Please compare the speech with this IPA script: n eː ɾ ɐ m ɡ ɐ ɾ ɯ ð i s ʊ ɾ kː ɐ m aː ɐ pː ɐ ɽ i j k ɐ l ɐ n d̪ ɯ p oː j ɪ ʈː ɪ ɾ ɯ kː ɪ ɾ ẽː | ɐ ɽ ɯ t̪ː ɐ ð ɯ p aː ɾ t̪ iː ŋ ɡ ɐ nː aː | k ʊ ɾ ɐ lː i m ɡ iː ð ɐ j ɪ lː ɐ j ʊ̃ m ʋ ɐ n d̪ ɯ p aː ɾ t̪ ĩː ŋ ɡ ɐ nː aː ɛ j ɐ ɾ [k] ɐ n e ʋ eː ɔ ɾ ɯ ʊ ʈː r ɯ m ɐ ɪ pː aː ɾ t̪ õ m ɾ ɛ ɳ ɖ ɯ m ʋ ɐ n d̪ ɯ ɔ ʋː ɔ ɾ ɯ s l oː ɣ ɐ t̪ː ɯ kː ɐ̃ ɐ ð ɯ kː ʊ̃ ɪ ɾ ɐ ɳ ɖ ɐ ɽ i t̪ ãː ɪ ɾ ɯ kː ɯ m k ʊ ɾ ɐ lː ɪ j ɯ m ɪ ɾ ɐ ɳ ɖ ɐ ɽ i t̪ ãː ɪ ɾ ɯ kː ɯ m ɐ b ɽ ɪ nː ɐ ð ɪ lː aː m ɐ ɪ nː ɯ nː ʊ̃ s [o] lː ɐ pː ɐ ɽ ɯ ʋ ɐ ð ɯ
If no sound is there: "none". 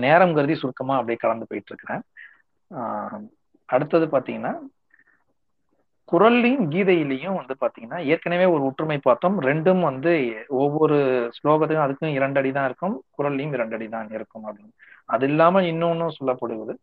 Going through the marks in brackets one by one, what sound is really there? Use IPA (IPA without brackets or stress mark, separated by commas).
k, ɔ